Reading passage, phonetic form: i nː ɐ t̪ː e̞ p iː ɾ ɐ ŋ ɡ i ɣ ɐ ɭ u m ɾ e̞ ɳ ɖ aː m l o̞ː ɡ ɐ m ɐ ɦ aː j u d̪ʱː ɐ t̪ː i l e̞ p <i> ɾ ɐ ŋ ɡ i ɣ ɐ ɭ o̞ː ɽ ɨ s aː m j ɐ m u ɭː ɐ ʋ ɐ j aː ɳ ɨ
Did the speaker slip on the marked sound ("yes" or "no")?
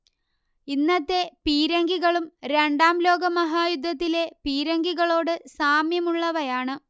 yes